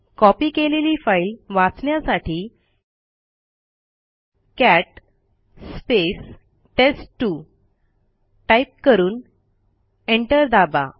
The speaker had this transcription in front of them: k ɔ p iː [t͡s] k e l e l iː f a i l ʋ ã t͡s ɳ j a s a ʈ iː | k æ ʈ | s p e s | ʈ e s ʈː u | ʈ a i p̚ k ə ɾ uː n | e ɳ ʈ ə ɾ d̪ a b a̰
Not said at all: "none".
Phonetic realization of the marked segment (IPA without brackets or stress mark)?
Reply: none